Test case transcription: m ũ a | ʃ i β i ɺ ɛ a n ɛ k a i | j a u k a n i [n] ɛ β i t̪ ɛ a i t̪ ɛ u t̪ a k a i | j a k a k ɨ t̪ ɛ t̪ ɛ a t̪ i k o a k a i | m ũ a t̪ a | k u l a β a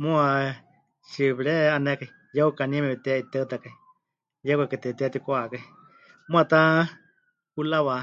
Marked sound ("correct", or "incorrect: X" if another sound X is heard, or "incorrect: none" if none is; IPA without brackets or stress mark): incorrect: m